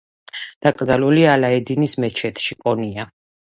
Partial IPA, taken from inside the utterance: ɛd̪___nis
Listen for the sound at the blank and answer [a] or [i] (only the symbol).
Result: i